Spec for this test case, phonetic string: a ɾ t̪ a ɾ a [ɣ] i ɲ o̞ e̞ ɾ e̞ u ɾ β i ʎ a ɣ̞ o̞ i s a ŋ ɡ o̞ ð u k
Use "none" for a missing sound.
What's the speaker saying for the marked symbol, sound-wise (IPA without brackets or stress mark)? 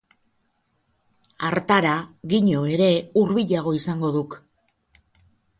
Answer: ɣ